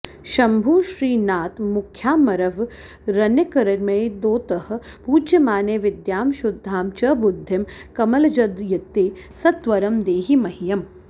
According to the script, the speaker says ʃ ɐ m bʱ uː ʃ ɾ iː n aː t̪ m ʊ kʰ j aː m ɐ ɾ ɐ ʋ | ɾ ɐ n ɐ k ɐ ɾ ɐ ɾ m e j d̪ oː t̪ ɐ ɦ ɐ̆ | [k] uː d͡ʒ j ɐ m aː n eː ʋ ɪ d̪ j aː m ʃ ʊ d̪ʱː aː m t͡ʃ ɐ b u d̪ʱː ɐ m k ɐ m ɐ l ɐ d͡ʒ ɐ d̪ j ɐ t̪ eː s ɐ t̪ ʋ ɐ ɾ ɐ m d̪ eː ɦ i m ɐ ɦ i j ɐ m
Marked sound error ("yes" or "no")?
yes